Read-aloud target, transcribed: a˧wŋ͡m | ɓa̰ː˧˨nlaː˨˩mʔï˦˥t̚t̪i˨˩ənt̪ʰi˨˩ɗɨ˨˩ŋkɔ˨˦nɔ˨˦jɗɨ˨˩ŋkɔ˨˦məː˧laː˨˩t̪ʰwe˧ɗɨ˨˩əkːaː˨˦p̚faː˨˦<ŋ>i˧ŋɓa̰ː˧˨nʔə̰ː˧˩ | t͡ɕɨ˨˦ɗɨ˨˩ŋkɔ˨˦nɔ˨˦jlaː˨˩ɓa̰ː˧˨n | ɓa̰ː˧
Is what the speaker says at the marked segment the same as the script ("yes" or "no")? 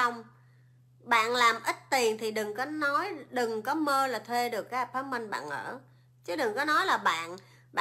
no